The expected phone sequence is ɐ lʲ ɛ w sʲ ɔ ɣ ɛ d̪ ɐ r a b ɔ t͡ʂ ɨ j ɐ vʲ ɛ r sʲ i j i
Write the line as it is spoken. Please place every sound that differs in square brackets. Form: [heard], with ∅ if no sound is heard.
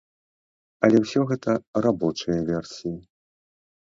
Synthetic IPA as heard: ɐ lʲ ɛ w sʲ ɔ ɣ ɛ [t̪] ɐ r a b ɔ t͡ʂ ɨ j ɐ vʲ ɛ r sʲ i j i